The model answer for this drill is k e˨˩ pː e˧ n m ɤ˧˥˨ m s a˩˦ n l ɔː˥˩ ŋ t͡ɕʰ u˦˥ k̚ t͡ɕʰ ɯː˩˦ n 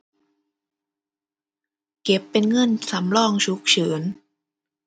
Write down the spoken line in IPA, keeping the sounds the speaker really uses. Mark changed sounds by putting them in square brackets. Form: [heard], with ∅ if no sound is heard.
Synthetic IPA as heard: k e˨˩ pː e˧ n [ŋ] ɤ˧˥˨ [n] s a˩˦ [m] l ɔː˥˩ ŋ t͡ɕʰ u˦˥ k̚ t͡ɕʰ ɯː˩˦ n